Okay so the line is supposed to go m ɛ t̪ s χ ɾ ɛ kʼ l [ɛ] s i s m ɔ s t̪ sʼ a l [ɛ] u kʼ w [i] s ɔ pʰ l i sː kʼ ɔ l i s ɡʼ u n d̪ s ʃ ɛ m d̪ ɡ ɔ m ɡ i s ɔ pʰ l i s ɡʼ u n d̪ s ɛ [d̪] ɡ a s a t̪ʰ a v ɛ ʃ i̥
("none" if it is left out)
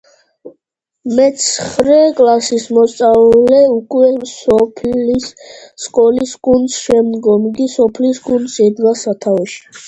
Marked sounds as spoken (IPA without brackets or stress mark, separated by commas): a, ɛ, ɛ, d̪